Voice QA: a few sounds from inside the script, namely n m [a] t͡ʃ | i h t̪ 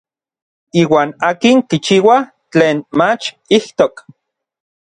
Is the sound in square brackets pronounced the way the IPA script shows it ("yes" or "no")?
yes